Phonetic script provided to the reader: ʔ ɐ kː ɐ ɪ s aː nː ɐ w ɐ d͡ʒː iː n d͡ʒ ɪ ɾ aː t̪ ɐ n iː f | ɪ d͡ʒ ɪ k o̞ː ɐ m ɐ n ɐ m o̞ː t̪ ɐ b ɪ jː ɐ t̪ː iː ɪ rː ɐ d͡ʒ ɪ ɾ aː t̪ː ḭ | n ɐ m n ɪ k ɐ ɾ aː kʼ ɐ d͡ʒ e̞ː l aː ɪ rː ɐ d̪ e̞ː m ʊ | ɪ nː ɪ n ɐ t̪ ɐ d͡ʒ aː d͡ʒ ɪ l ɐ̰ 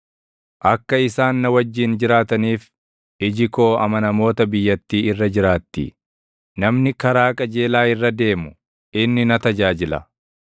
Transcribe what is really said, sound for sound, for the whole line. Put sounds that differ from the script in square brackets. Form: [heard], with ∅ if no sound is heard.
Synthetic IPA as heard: ʔ ɐ kː ɐ ɪ s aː nː ɐ w ɐ d͡ʒː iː n d͡ʒ ɪ ɾ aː t̪ ɐ n iː f | ɪ d͡ʒ ɪ k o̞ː ɐ m ɐ n ɐ m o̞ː t̪ ɐ b ɪ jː ɐ t̪ː iː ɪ rː ɐ d͡ʒ ɪ ɾ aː t̪ː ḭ | n ɐ m n ɪ k ɐ ɾ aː kʼ ɐ d͡ʒ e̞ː l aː ɪ rː ɐ d̪ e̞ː m ʊ | ɪ nː ɪ n ɐ t̪ ɐ d͡ʒ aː d͡ʒ ɪ l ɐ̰